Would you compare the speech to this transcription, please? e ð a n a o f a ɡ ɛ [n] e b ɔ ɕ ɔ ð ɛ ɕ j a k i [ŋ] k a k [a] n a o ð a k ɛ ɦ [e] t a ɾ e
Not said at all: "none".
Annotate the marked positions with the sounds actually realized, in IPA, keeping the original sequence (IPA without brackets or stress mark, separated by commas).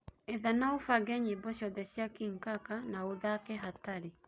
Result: ɲ, ŋ, a, a